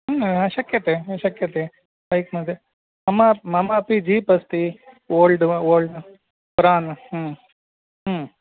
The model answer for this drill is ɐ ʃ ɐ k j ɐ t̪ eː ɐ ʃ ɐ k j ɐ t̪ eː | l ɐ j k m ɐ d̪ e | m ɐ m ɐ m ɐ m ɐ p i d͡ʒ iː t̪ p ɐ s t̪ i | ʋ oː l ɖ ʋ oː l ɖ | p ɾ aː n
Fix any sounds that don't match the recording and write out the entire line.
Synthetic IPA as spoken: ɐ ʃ ɐ k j ɐ t̪ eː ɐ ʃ ɐ k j ɐ t̪ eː | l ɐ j k m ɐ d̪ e | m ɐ m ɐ m ɐ m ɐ p i d͡ʒ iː p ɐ s t̪ i | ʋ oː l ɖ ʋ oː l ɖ | p ɾ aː n